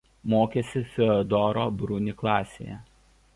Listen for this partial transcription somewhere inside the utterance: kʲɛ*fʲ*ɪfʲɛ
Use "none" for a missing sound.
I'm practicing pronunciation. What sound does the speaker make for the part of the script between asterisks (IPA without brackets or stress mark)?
sʲ